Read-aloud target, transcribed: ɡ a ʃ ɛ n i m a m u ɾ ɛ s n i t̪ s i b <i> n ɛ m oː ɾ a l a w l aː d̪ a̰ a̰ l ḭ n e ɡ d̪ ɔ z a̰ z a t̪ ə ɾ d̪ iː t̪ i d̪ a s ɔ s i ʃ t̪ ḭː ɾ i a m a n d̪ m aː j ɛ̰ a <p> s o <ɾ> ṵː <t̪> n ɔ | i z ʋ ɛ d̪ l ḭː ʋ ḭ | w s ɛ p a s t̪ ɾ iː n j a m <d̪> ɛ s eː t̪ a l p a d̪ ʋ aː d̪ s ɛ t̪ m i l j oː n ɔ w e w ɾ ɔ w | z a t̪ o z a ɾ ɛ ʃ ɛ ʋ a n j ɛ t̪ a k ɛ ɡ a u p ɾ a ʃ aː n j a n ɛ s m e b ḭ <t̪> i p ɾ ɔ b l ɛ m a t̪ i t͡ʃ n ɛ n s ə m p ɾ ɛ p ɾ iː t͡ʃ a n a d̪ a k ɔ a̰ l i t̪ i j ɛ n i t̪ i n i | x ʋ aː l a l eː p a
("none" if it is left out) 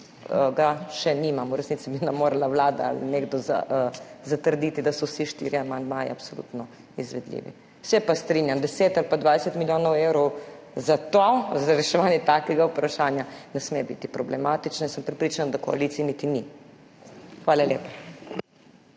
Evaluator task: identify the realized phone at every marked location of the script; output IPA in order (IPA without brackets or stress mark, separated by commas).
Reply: i, p, l, t̪, d̪, t̪